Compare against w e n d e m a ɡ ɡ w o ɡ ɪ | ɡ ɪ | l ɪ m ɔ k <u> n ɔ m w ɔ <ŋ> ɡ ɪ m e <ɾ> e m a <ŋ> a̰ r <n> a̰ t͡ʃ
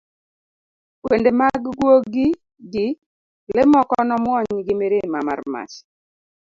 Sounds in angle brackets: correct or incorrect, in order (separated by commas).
incorrect, incorrect, correct, incorrect, incorrect